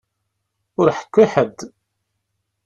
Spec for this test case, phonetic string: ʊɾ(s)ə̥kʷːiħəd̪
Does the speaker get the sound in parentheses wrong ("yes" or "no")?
yes